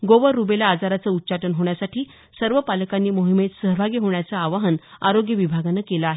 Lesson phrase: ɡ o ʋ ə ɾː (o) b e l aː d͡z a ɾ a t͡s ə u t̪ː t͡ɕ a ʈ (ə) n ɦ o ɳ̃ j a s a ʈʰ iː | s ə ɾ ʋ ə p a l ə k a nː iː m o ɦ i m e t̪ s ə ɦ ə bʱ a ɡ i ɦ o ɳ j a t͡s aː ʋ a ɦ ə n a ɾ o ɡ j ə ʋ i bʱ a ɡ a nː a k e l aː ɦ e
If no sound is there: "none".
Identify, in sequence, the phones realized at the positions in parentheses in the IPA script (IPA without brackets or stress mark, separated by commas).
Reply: u, ə